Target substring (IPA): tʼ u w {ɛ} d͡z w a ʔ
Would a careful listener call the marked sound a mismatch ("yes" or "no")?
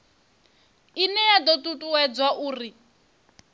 no